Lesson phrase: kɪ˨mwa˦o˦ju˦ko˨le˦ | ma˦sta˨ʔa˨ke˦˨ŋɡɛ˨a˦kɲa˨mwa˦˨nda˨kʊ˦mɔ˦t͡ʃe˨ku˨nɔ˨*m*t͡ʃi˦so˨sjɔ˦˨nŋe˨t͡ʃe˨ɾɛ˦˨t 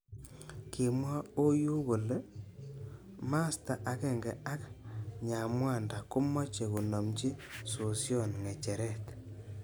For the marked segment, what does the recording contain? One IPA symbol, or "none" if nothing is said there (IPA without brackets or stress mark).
m